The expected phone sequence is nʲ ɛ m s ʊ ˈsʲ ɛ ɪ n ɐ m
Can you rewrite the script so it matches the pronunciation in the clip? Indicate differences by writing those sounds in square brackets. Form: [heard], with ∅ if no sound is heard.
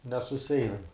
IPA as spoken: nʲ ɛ [∅] s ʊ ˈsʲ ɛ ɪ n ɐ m